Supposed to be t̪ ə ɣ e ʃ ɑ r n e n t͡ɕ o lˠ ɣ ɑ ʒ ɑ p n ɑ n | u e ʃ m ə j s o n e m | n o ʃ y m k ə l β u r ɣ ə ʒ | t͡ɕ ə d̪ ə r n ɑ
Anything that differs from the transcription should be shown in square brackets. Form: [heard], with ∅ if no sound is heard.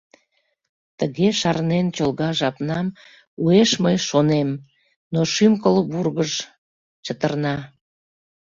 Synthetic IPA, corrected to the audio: t̪ ə ɣ e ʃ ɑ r n e n t͡ɕ o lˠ ɣ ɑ ʒ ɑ p n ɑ [m] | u e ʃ m ə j [ʃ] o n e m | n o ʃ y m k ə l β u r ɣ ə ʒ | t͡ɕ ə [t̪] ə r n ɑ

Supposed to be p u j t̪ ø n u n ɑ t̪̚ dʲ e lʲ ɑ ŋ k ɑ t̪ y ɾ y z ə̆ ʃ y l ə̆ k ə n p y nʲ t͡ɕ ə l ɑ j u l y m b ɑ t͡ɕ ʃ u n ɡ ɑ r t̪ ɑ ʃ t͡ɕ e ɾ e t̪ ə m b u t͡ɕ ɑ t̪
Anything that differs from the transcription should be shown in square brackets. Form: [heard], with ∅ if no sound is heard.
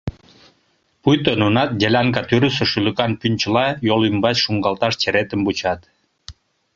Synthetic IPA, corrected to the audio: p u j t̪ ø n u n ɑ t̪̚ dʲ e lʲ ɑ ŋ k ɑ t̪ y ɾ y [s] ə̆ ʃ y l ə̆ k [ɑ] n p y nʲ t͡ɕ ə l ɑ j [o] l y m b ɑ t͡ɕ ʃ u [ŋ] ɡ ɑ [l] t̪ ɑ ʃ t͡ɕ e ɾ e t̪ ə m b u t͡ɕ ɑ t̪

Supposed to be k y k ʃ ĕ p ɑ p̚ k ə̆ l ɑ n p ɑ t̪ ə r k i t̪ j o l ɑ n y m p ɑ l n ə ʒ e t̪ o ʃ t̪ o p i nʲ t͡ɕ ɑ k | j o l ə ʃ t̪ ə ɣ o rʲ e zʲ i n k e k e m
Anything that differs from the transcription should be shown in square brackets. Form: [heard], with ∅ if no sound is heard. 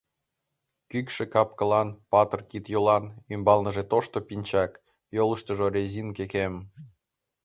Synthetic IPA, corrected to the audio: k y k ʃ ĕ [k] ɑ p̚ k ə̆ l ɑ n p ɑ t̪ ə r k i t̪ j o l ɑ n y m [b] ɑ l n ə ʒ e t̪ o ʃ t̪ o p i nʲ t͡ɕ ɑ k | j o l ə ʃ t̪ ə [ʒ] o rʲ e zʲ i n k e k e m

